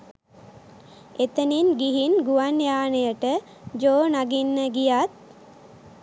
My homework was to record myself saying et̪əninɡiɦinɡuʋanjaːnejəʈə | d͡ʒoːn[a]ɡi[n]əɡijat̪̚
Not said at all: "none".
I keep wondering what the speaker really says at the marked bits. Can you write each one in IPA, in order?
a, nː

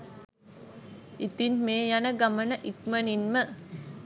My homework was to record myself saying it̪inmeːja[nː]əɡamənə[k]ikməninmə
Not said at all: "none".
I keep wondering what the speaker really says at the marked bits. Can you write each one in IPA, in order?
n, ʔ

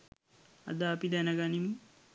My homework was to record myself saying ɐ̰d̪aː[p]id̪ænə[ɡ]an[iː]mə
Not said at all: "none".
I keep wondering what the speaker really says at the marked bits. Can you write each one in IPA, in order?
p, ɡ, i

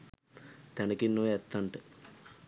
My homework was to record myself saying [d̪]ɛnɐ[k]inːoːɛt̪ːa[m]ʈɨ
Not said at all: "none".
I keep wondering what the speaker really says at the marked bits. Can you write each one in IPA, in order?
t̪, k, ɳ

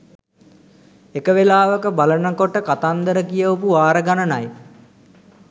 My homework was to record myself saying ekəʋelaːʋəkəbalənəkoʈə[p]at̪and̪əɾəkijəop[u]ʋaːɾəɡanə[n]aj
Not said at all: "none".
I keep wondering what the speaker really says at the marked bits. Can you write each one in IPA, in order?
k, u, n

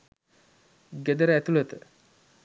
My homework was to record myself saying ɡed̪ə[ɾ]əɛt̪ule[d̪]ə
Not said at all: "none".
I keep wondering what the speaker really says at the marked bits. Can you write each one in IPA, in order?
ɾ, t̪

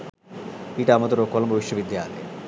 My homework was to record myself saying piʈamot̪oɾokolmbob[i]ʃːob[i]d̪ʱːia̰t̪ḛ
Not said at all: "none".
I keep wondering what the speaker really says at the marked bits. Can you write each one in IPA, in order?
i, i

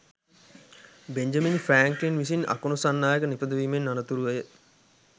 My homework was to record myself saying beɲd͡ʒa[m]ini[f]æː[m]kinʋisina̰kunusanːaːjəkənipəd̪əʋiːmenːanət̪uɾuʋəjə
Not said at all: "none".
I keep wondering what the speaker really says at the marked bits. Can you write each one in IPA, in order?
m, f, ŋ

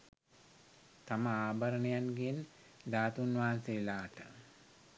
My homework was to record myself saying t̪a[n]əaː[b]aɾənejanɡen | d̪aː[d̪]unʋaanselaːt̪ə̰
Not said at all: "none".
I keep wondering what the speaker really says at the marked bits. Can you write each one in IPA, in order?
m, b, t̪

